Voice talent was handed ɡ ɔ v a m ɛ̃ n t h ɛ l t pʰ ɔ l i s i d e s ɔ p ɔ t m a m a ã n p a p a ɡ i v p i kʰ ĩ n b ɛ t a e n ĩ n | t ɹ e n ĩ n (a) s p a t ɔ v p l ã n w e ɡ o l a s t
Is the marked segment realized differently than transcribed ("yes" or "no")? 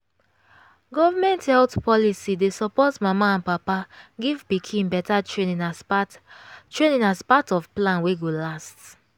no